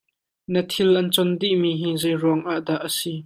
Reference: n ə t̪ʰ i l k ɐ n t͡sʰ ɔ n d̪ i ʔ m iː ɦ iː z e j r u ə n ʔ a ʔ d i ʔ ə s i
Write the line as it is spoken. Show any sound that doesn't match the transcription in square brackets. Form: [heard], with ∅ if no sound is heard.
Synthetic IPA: n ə t̪ʰ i l [ʔ] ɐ n [t͡s] ɔ n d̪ i ʔ m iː ɦ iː z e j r u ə [ŋ] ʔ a ʔ d [a] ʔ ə s i